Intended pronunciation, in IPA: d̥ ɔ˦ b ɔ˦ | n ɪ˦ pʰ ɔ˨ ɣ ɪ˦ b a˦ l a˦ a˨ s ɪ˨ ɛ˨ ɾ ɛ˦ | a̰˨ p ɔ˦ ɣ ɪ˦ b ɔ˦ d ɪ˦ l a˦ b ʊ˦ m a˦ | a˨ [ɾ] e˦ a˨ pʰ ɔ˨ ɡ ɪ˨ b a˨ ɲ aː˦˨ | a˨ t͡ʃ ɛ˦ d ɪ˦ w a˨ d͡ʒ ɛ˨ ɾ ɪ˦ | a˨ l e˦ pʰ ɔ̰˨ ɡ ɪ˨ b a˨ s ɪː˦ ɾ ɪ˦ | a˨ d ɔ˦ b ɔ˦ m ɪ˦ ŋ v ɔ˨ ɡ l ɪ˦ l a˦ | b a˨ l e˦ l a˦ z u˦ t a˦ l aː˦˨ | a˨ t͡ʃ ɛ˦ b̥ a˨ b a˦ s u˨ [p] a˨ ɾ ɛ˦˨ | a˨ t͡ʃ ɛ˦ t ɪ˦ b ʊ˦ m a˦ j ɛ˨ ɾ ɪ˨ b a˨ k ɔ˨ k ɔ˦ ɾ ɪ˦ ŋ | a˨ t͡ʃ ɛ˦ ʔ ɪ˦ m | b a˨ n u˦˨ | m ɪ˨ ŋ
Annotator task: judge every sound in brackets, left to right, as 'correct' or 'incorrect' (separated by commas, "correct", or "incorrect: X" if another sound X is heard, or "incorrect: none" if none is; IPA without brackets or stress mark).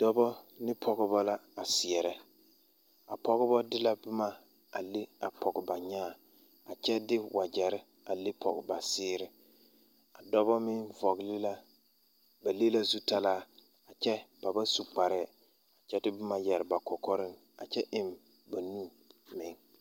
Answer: incorrect: l, incorrect: k͡p